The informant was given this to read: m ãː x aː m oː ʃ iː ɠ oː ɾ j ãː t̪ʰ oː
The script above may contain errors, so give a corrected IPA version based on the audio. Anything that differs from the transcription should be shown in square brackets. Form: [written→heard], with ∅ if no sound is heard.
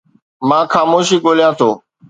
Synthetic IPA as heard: m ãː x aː m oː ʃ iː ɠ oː [ɾ→l] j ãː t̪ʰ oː